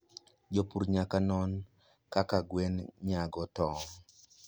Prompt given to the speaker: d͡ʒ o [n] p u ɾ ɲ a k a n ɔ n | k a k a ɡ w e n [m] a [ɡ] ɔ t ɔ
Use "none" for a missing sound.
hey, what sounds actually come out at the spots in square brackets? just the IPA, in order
none, ɲ, ɡ

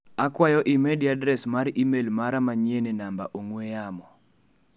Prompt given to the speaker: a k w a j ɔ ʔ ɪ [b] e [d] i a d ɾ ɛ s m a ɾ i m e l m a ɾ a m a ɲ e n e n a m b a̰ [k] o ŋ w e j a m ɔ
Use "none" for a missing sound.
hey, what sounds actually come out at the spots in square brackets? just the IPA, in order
m, d, ʔ

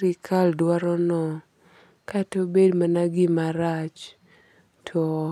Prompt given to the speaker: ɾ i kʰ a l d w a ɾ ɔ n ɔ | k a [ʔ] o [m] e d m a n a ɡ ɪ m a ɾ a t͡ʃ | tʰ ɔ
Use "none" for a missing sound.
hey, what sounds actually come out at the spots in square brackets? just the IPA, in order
t, b

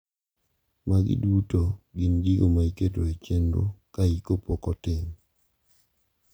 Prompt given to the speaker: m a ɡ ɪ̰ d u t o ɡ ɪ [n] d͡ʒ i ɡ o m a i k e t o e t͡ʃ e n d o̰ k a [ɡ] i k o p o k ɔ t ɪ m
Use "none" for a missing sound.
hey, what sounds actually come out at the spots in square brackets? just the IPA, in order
n, none

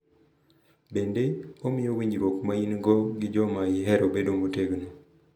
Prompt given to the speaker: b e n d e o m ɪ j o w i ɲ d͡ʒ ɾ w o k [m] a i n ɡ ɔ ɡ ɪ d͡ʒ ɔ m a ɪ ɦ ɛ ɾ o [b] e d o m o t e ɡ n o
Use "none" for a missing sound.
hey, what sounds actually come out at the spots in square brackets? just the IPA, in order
m, b

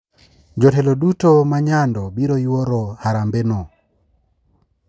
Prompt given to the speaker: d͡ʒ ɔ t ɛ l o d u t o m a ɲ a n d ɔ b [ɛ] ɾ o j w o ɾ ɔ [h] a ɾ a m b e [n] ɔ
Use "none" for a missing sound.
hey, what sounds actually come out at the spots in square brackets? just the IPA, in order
i, h, n

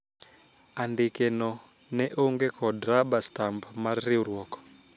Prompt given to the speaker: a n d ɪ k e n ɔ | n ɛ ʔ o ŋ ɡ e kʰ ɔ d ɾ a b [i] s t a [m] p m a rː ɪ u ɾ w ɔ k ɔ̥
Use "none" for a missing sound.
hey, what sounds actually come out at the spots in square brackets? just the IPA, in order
a, m

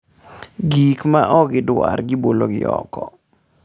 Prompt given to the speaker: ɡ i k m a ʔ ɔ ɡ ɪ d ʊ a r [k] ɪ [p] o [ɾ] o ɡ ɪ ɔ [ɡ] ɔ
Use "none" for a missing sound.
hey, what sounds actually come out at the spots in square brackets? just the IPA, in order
ɡ, b, l, k

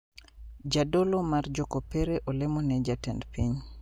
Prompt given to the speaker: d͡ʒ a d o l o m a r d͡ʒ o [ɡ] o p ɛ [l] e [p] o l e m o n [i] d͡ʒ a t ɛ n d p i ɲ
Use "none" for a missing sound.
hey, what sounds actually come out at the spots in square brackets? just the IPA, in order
k, ɾ, ʔ, ɛ

